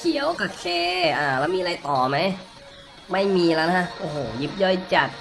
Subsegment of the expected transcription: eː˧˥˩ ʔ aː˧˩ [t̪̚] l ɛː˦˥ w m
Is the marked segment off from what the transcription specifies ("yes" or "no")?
yes